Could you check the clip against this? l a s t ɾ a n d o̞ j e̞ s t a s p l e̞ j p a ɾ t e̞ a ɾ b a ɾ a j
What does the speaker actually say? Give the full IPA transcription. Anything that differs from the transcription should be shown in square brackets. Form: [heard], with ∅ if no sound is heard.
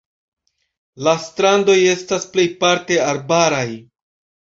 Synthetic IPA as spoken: l a s t ɾ a n d o̞ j e̞ s t a s p l e̞ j p a ɾ t e̞ a ɾ b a ɾ a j